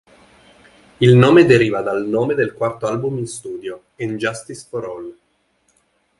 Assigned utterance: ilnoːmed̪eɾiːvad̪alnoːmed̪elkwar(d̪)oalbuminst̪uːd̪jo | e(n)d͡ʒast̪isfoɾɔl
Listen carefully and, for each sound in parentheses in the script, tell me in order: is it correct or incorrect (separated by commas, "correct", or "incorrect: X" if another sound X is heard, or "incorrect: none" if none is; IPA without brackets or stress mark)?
incorrect: t̪, correct